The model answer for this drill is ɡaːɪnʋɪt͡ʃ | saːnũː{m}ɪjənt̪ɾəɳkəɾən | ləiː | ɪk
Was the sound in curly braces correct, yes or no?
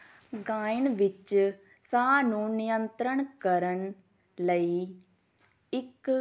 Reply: no